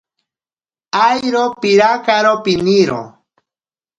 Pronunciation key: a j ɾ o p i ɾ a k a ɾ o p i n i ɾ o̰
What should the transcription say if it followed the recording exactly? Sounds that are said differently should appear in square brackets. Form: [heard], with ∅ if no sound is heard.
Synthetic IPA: a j ɾ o p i ɾ a k a ɾ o p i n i ɾ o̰